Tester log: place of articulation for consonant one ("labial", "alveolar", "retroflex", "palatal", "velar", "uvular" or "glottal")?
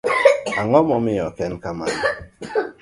velar